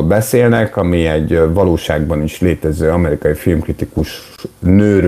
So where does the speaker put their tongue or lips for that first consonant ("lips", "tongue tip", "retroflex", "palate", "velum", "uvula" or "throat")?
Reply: tongue tip